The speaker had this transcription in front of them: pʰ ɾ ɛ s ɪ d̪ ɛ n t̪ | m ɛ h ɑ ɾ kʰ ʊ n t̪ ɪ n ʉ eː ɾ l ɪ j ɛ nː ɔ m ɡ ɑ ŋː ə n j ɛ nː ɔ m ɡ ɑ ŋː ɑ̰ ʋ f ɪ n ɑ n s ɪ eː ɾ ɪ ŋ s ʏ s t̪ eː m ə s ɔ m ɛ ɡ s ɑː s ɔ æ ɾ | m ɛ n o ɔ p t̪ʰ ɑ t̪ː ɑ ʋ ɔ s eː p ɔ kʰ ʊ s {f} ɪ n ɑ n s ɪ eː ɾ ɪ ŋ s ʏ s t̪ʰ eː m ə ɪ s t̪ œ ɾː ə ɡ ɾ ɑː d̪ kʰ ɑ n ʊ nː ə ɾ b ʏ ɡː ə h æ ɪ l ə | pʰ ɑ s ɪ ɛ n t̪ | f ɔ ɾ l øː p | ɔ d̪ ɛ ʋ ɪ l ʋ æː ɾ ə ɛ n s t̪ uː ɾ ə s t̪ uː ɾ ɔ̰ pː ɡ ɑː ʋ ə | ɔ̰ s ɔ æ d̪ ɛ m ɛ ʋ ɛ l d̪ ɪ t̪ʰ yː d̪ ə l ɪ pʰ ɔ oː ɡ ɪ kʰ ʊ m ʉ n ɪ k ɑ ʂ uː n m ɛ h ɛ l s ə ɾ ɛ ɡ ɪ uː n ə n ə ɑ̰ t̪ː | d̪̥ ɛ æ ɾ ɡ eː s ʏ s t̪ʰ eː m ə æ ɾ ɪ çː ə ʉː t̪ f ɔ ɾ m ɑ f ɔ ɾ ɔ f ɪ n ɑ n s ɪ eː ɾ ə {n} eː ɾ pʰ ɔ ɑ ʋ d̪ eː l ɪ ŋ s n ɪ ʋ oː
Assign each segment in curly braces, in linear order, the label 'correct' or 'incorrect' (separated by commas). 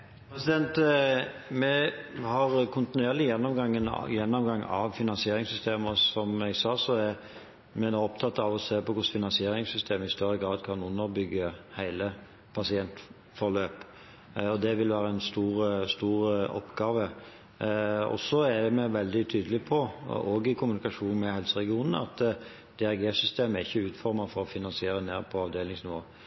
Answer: correct, correct